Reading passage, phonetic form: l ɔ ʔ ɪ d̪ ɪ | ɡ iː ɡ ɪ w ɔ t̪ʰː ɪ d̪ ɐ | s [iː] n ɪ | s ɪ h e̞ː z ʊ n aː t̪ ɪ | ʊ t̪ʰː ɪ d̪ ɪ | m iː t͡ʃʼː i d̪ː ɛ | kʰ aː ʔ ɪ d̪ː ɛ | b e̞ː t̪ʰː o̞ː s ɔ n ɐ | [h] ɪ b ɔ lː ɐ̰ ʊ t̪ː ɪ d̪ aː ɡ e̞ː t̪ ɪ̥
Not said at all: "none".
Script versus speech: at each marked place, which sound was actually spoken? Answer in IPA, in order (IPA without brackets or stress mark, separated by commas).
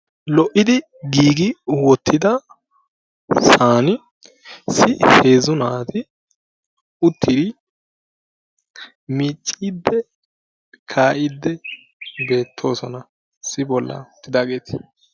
aː, s